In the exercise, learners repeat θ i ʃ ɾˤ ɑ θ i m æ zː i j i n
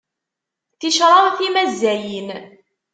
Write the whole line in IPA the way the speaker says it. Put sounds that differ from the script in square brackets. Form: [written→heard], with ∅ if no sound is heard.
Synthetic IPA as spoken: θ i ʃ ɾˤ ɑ θ i m æ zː [i→æ] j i n